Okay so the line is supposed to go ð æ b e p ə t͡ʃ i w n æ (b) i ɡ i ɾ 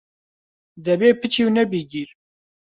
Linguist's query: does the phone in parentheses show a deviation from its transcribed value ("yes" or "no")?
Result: no